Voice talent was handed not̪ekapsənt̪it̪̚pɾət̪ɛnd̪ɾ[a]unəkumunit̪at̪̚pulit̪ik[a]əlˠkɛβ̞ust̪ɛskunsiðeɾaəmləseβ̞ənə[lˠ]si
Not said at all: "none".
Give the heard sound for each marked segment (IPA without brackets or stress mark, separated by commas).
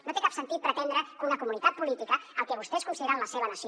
ə, ə, none